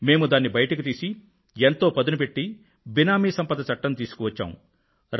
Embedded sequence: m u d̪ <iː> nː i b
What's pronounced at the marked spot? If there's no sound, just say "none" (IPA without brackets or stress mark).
aː